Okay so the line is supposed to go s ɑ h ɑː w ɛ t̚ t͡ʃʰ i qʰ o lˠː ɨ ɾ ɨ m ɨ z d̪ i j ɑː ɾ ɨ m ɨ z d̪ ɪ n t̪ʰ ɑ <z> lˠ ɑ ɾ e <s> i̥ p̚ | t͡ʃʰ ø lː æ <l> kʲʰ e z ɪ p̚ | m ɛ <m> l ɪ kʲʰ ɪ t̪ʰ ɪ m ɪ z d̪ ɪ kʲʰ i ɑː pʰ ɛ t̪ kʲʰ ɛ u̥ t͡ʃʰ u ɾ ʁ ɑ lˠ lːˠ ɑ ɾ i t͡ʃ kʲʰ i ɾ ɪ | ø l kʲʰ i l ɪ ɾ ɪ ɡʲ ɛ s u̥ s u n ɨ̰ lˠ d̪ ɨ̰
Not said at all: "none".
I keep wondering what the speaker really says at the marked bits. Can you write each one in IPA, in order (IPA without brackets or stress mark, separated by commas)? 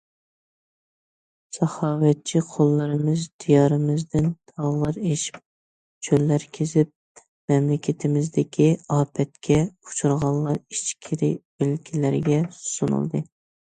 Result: ʁ, ʃ, ɾ, m